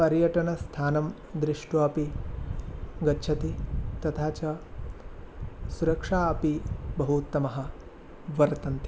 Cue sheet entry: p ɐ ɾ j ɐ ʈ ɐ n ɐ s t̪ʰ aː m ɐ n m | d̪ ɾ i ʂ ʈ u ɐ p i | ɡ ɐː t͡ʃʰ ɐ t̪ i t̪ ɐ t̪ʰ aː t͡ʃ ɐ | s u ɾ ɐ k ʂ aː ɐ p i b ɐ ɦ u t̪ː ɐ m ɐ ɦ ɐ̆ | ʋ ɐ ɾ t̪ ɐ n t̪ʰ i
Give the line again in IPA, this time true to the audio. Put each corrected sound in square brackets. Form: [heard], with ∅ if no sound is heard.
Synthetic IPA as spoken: p ɐ ɾ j ɐ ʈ ɐ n ɐ s t̪ʰ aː [n] ɐ [∅] m | d̪ ɾ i ʂ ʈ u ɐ p i | ɡ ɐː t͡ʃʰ ɐ t̪ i t̪ ɐ t̪ʰ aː t͡ʃ ɐ | s u ɾ ɐ k ʂ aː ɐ p i b ɐ ɦ u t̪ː ɐ m ɐ ɦ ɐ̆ | ʋ ɐ ɾ t̪ ɐ n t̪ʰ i